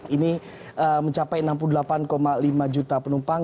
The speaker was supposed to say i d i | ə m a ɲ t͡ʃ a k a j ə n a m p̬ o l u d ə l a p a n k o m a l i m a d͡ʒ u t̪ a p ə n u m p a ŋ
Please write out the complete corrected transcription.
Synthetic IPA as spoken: i n i | ə m ə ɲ t͡ʃ a p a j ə n a m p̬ u l u d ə l a p a n k o m a l i m a d͡ʒ u t̪ a p ə n u m p a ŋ

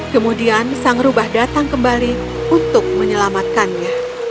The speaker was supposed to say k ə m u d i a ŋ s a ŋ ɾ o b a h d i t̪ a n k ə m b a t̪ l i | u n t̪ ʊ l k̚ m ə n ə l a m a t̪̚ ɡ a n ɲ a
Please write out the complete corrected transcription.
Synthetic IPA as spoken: k ə m u d i a n s a ŋ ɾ u b a h d a t̪ a ŋ k ə m b a l i | u n t̪ ʊ k̚ m ə ɲ ə l a m a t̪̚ k a n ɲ a

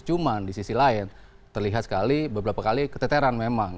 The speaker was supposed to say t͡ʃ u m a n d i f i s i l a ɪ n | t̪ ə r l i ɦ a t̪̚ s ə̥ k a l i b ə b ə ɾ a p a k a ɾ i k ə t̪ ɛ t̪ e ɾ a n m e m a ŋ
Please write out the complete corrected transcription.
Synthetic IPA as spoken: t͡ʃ u m a n d i s i s i l a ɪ n | t̪ ə r l i ɦ a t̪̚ s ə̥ k a l i b ə b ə ɾ a p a k a l i k ə t̪ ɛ t̪ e ɾ a n m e m a ŋ

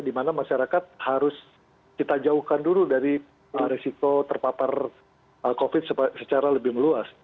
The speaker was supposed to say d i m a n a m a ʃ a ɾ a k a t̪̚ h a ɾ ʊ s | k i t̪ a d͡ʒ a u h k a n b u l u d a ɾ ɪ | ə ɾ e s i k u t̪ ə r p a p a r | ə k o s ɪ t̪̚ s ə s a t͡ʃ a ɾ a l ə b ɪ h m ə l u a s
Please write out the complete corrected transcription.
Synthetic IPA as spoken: d i m a n a m a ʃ a ɾ a k a t̪̚ h a ɾ ʊ s | k i t̪ a d͡ʒ a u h k a n d u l u d a ɾ i | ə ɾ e s i k o t̪ ə r p a p a r | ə k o f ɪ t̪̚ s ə s ə t͡ʃ a ɾ a l ə b ɪ h m ə l u a s

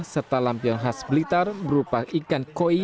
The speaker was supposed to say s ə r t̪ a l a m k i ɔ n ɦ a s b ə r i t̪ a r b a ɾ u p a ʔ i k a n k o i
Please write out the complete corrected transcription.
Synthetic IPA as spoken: s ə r t̪ a l a m p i ɔ n ɦ a s b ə l i t̪ a r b ə ɾ u p a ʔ i k a n k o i

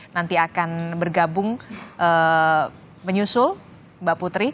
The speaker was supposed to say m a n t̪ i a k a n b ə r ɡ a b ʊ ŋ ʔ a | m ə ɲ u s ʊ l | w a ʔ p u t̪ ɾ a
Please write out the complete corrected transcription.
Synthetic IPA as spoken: n a n t̪ i a k a n b ə r ɡ a b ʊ ŋ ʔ ə | m ə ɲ u s ʊ l | b a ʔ p u t̪ ɾ i

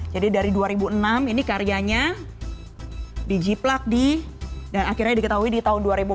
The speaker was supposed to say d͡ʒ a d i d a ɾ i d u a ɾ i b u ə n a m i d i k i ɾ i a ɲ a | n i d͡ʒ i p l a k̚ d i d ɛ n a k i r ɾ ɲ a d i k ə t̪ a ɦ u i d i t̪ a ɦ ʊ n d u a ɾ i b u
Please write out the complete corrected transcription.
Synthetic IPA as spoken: d͡ʒ a d i d a ɾ i d u a ɾ i b u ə n a m i n i k a ɾ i a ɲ a | d i d͡ʒ i p l a k̚ d i d a n a k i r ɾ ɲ a d i k ə t̪ a ɦ u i d i t̪ a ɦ ʊ n d u a ɾ i b u

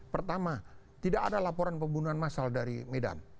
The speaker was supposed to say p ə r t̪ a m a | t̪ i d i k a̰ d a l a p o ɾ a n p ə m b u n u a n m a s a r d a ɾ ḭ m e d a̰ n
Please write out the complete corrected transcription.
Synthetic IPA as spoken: p ə r t̪ a m a | t̪ i d a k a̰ d a l a p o ɾ a n p ə m b u n u a n m a s a l d a ɾ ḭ m e d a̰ n

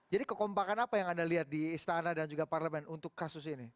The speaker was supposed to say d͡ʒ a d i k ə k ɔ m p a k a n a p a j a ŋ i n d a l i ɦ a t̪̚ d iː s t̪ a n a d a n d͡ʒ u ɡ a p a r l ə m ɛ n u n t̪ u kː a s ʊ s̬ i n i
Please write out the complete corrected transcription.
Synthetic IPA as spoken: d͡ʒ a d i k ə k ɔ m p a k a n a p a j a ŋ a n d a l i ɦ a t̪̚ d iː s t̪ a n a d a n d͡ʒ u ɡ a p a r l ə m ɛ n u n t̪ ʊ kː a s ʊ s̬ i n i

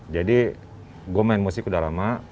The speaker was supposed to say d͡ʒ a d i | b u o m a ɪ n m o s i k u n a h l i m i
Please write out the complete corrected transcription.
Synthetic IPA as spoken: d͡ʒ a d i | ɡ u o m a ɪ n m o s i k u d a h l a m a

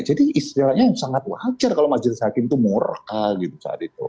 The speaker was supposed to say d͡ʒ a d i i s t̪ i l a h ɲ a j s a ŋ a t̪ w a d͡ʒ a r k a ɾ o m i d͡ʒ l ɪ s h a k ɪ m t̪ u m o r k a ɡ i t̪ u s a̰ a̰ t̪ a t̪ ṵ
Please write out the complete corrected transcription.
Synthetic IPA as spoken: d͡ʒ a d i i s t̪ i l a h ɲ a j s a ŋ a t̪ w a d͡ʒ a r k a l o m a d͡ʒ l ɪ s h a k ɪ m t̪ u m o r k a ɡ i t̪ u s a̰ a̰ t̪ i t̪ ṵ

